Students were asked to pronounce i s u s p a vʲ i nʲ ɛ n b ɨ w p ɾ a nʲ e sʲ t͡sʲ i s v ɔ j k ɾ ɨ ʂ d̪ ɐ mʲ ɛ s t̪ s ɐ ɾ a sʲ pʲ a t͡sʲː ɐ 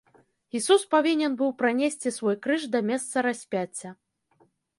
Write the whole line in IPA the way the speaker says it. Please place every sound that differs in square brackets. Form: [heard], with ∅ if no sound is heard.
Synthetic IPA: i s u s p a vʲ i nʲ ɛ n b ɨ w p ɾ a nʲ e sʲ t͡sʲ i s v ɔ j k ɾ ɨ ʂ d̪ ɐ mʲ ɛ s t̪ s ɐ ɾ a sʲ pʲ a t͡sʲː ɐ